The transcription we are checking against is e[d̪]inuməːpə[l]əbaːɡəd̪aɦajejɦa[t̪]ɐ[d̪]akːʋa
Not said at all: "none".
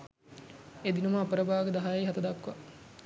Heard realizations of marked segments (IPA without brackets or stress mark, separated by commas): d̪, ɾ, t̪, d̪